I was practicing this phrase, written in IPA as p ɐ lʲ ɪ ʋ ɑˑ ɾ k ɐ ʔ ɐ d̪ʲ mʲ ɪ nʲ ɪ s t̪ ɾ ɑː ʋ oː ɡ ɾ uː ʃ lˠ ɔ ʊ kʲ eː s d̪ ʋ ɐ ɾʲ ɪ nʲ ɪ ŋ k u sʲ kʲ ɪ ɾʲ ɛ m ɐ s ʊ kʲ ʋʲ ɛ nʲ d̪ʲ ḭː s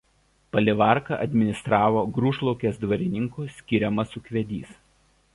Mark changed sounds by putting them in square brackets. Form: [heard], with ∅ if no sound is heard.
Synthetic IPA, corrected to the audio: p ɐ lʲ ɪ ʋ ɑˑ ɾ k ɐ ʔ ɐ d̪ʲ mʲ ɪ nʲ ɪ s t̪ ɾ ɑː ʋ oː ɡ ɾ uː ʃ lˠ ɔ ʊ kʲ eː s d̪ ʋ ɐ ɾʲ ɪ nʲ ɪ ŋ k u sʲ kʲ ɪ ɾʲ ɛ m ɐ s ʊ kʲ ʋʲ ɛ [∅] d̪ʲ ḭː s